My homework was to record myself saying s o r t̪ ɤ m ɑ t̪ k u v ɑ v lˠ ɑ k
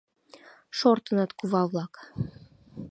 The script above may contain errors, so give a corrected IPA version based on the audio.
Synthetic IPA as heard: ʃ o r t̪ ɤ n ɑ t̪ k u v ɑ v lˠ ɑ k